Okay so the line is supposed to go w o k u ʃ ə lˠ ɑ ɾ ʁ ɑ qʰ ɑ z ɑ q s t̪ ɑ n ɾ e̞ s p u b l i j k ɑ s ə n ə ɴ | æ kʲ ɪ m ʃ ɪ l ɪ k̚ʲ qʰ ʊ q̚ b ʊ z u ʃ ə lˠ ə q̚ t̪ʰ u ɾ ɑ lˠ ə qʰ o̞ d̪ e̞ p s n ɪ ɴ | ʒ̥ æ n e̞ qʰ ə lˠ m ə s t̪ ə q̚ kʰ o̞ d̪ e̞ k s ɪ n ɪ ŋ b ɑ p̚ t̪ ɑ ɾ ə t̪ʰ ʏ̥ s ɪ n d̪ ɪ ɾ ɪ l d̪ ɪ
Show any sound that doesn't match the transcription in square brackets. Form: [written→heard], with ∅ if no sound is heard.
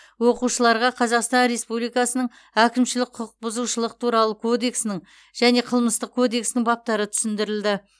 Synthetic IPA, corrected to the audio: w o [k→q] u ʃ ə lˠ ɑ ɾ ʁ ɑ qʰ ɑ z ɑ q s t̪ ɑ n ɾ e̞ s p u b l i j k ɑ s ə n ə ɴ | æ kʲ ɪ m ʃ ɪ l ɪ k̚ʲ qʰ ʊ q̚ b ʊ z u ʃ ə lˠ ə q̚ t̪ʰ u ɾ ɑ lˠ ə [qʰ→kʰ] o̞ d̪ e̞ [p→k] s n ɪ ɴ | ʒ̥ æ n e̞ qʰ ə lˠ m ə s t̪ ə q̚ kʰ o̞ d̪ e̞ k s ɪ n ɪ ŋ b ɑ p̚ t̪ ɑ ɾ ə t̪ʰ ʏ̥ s ɪ n d̪ ɪ ɾ ɪ l d̪ ɪ